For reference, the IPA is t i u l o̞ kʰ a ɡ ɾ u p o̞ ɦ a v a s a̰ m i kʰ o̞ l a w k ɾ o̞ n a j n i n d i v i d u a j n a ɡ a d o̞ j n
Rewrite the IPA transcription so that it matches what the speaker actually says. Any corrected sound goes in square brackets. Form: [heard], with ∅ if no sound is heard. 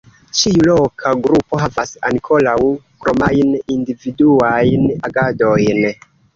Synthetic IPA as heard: [t͡ʃ] i u l o̞ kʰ a ɡ ɾ u p o̞ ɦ a v a s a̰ [n] i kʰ o̞ l a w k ɾ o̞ [m] a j n i n d i v i d u a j n a ɡ a d o̞ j n